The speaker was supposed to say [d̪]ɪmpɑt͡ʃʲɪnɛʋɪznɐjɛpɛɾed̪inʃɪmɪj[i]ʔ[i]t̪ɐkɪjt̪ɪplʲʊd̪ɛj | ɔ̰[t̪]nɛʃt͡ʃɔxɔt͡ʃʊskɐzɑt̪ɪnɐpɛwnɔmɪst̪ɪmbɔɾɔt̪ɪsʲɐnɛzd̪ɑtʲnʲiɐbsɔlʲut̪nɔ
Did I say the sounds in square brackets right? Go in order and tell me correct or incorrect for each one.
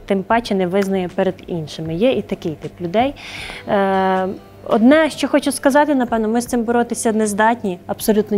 incorrect, incorrect, correct, incorrect

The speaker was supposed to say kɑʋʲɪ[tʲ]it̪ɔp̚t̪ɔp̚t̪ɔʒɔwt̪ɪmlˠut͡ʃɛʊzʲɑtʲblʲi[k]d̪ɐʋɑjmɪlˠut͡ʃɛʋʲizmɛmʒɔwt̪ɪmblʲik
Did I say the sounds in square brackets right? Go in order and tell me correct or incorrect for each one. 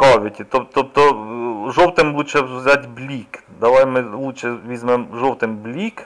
correct, correct

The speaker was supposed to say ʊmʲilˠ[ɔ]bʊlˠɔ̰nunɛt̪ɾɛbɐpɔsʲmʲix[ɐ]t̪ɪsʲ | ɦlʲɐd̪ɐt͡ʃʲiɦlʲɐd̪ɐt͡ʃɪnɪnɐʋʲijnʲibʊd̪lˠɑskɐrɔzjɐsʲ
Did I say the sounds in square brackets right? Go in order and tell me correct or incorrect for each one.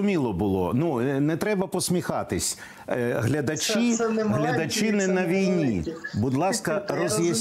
correct, incorrect

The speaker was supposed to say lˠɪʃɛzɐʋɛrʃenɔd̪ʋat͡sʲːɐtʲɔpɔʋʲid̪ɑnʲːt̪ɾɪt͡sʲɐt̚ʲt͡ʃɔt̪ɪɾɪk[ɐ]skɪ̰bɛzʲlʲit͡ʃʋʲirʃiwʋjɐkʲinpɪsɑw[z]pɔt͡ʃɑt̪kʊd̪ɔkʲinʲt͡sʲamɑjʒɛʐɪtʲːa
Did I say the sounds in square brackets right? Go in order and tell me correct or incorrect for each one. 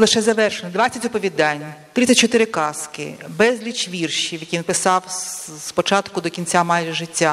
incorrect, incorrect

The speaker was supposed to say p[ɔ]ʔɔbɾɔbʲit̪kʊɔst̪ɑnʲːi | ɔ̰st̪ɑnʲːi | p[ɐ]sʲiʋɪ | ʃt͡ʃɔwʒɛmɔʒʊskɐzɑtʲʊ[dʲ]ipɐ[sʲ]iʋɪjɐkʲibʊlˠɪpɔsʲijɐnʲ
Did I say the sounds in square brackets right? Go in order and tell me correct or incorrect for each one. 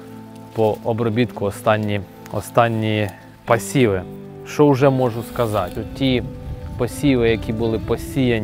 correct, correct, incorrect, correct

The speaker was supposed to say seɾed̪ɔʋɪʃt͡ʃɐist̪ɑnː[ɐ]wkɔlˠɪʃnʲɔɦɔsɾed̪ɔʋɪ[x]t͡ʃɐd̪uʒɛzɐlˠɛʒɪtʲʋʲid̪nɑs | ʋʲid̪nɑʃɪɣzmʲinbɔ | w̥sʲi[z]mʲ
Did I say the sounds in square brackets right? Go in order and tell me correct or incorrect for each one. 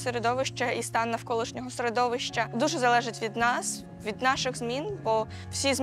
correct, incorrect, correct

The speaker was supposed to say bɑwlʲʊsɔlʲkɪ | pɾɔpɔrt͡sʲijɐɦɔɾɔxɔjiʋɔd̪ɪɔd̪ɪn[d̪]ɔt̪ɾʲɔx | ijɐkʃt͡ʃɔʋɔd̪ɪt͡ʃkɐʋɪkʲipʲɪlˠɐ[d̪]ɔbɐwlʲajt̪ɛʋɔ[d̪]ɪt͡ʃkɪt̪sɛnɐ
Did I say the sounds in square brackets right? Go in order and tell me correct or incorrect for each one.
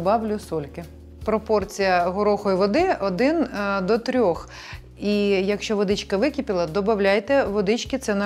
correct, correct, correct

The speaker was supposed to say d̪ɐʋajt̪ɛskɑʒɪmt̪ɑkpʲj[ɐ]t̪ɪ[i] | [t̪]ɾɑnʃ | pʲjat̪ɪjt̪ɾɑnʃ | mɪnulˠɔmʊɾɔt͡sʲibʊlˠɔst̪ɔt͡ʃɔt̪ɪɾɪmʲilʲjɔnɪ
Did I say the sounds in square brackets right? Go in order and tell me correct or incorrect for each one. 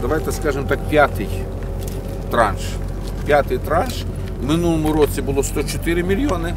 incorrect, incorrect, correct

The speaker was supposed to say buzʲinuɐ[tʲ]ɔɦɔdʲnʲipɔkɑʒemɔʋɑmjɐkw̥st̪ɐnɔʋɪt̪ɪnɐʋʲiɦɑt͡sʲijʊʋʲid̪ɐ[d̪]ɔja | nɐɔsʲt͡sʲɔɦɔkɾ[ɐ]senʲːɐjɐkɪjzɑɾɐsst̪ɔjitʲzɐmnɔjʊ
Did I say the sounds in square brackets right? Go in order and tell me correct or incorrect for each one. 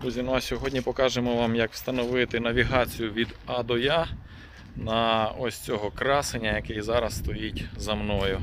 incorrect, correct, incorrect

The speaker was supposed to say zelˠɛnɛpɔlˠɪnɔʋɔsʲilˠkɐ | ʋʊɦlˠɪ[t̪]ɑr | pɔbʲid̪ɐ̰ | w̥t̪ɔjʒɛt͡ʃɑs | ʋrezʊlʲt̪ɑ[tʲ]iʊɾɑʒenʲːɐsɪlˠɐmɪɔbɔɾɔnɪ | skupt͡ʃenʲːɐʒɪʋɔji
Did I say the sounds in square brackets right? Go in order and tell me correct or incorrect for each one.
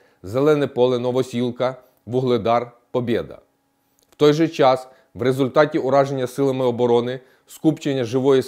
incorrect, correct

